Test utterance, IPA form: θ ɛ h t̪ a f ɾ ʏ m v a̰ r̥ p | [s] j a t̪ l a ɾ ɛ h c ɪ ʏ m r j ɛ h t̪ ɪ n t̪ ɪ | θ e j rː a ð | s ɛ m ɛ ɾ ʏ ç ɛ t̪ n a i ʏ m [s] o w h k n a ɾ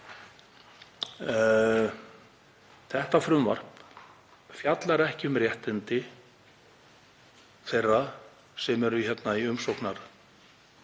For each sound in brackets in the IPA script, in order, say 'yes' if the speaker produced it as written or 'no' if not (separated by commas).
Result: no, yes